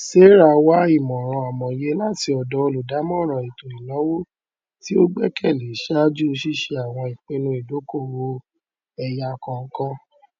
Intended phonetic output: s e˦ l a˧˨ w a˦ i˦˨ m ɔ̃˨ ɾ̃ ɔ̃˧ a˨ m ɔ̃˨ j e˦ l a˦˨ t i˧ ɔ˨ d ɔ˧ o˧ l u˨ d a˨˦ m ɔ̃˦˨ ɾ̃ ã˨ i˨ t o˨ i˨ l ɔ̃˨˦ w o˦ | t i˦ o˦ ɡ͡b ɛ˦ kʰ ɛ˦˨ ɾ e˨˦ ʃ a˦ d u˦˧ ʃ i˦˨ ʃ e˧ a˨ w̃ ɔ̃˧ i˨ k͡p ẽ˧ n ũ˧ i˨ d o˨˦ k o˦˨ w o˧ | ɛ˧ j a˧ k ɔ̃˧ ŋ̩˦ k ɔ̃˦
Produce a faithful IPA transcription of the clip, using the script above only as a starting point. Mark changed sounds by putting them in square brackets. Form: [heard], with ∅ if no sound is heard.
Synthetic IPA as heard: s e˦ [ɾ] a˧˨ w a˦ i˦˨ m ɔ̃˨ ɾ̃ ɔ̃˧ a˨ m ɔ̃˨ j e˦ l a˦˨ t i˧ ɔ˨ d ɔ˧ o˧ l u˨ d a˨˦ m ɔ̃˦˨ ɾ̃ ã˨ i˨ t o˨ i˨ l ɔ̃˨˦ w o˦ | t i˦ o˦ ɡ͡b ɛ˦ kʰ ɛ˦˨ [l] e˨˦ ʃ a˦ [d͡ʒ] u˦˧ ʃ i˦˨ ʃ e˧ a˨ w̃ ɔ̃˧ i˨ k͡p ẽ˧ n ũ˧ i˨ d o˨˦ k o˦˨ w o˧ | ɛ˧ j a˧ k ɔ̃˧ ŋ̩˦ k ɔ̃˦